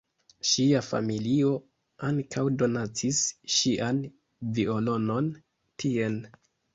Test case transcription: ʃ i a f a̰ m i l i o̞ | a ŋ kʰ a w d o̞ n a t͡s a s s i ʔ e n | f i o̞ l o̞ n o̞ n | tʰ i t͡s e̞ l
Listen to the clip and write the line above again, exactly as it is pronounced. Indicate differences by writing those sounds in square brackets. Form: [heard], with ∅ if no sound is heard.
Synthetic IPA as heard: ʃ i a f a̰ m i l i o̞ | a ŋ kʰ a w d o̞ n a t͡s [i] s [ʃ] i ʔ [a] n | [v] i o̞ l o̞ n o̞ n | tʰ i [∅] e̞ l